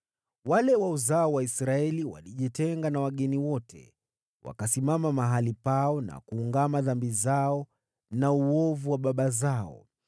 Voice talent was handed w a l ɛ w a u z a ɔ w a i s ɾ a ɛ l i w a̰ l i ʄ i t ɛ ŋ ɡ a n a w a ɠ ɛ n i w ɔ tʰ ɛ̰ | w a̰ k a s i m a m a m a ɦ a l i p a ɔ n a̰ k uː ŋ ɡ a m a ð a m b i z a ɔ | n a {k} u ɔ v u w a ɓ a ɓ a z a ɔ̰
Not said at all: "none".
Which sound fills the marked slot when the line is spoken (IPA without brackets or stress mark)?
none